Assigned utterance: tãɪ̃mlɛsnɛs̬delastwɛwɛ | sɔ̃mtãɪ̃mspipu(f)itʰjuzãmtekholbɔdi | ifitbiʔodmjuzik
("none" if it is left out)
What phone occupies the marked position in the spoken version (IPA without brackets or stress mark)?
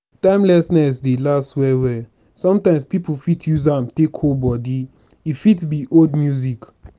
f